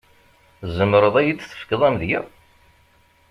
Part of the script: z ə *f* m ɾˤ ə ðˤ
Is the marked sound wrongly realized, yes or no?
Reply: yes